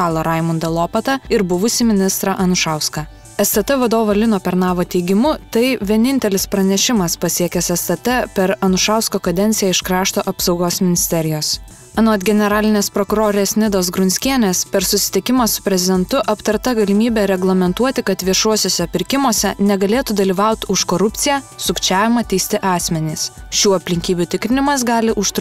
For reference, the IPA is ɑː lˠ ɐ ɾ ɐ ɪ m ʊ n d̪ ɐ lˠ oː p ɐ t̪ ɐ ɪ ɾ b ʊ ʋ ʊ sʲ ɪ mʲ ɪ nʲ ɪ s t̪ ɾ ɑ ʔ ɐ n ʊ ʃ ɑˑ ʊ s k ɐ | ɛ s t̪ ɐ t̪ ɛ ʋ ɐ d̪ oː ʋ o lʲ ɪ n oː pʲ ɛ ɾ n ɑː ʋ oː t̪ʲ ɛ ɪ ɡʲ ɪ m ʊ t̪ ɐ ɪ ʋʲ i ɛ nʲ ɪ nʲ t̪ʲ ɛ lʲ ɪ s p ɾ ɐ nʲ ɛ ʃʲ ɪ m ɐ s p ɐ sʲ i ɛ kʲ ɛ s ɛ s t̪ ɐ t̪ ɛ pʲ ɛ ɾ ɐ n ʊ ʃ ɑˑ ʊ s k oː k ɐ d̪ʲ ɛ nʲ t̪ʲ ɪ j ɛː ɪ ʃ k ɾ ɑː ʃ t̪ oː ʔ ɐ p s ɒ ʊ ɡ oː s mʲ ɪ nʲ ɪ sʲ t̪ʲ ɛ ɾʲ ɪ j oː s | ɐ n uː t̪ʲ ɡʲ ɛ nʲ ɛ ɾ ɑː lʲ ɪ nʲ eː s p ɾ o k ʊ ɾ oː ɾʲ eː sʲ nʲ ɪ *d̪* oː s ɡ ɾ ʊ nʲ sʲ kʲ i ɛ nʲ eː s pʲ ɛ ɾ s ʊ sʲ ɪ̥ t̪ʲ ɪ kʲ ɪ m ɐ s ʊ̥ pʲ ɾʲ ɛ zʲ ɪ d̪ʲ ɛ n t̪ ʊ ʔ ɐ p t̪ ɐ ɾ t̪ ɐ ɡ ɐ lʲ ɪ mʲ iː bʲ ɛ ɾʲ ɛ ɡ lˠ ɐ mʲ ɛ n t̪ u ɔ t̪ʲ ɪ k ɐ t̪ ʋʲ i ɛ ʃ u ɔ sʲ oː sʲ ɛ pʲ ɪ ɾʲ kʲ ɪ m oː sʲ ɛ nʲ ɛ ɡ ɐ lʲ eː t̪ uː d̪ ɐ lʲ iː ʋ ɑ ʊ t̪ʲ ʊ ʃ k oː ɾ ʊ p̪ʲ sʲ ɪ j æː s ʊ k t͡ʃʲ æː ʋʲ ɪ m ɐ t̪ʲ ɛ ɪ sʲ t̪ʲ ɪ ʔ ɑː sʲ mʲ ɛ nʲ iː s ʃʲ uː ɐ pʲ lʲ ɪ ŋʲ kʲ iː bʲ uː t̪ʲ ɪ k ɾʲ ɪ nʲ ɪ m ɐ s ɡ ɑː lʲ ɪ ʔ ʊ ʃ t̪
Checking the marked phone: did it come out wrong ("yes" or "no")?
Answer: no